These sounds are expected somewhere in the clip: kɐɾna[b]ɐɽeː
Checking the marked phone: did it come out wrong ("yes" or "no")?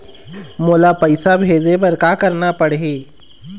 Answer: yes